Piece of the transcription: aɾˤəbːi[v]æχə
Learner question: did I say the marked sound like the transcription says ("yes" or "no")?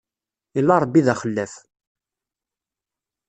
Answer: no